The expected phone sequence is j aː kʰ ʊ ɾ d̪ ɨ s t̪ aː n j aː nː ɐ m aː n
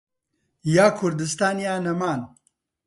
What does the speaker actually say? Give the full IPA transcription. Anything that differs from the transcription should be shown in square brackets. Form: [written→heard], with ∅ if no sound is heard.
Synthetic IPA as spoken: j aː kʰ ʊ ɾ d̪ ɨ s t̪ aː n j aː [nː→n] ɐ m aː n